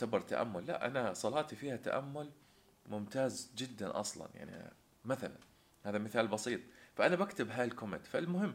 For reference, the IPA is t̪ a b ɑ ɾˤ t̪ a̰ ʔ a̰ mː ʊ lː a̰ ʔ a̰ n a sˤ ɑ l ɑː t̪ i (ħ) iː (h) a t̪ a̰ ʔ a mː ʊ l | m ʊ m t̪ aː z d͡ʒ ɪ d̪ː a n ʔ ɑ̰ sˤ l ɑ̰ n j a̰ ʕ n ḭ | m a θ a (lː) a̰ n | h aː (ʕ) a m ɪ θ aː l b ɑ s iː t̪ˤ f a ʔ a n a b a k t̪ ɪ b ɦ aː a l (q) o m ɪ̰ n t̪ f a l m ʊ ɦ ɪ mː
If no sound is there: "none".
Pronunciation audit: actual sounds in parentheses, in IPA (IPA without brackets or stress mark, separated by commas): f, h, l, ð, k